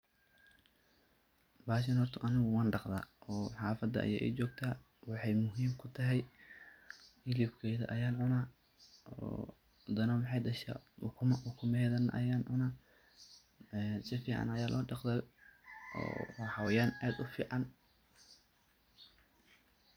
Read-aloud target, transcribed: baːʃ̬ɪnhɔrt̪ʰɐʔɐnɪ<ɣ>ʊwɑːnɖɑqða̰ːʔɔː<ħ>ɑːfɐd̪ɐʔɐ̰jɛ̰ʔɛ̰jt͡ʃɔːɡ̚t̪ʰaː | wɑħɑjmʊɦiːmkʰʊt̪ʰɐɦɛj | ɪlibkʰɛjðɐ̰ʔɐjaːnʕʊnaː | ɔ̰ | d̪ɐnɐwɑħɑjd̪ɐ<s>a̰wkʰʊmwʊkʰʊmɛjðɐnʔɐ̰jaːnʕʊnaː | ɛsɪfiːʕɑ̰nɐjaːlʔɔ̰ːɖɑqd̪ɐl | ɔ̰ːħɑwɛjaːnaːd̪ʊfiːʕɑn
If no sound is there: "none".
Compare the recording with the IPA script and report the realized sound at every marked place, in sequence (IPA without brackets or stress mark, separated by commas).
ɣ, ħ, ʃ